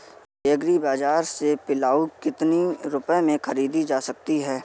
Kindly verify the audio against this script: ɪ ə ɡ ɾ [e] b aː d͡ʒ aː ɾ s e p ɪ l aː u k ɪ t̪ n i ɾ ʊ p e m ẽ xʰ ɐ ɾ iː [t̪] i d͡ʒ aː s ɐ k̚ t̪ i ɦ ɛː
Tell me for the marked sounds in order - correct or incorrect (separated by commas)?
incorrect, incorrect